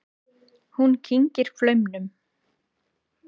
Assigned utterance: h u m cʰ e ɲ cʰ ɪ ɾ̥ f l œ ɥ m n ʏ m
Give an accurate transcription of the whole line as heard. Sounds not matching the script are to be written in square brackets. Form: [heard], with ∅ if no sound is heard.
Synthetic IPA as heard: h u [n] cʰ [i] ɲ [c] ɪ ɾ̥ f l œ ɥ m n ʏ m